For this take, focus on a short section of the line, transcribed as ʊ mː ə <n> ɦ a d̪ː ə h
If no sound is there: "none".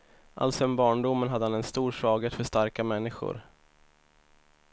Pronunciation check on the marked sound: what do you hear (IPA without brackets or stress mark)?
n